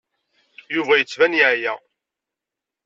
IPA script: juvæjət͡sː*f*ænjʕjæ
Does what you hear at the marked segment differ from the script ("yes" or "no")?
yes